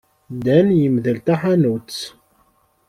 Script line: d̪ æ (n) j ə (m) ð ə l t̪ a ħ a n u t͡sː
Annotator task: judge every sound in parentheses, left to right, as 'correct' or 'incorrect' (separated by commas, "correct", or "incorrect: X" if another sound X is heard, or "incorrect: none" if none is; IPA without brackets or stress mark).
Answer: correct, correct